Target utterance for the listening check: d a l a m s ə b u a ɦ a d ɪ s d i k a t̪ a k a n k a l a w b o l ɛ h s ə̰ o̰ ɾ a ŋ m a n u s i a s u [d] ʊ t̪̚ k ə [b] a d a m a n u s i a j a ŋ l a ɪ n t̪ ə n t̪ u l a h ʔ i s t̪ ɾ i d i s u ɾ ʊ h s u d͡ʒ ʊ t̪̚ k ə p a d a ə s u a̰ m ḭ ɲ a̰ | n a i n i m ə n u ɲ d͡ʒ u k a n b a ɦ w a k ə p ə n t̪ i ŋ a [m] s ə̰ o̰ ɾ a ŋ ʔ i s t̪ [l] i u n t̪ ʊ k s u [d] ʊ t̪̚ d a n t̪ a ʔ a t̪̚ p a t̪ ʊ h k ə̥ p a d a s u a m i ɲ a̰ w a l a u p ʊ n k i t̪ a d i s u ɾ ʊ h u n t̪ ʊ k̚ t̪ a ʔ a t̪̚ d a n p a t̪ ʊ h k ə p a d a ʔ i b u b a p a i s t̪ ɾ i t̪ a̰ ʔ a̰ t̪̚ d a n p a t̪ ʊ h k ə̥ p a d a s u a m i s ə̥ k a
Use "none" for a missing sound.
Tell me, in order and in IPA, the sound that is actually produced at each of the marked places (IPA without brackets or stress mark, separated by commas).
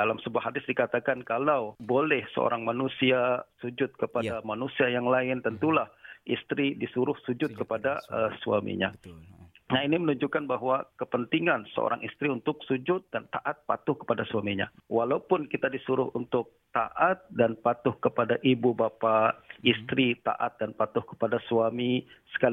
d͡ʒ, p, n, ɾ, d͡ʒ